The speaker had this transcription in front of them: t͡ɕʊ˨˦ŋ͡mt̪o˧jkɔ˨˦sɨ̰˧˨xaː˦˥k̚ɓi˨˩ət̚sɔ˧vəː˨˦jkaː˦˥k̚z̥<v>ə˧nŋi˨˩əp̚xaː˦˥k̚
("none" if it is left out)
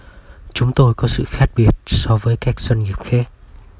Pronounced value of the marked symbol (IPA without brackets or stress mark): w